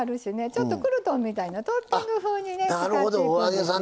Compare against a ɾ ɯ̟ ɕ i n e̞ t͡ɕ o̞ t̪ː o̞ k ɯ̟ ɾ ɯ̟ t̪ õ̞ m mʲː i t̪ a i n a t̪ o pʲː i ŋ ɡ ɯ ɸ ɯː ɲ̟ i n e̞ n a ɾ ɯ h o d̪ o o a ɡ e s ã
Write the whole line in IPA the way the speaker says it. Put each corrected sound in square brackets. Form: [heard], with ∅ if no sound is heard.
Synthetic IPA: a ɾ ɯ̟ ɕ i n e̞ t͡ɕ o̞ t̪ː o̞ k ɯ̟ ɾ ɯ̟ t̪ õ̞ m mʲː i t̪ a i n a t̪ o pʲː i ŋ ɡ ɯ ɸ ɯː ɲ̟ i n e̞ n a ɾ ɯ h o d̪ o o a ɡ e s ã